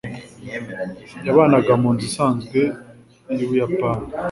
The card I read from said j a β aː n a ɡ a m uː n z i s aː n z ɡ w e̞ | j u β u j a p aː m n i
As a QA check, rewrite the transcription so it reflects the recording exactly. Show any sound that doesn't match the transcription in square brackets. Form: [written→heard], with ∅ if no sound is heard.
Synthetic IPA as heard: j a β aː n a ɡ a m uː n z i s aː n z ɡ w e̞ | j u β u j a p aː [m→∅] n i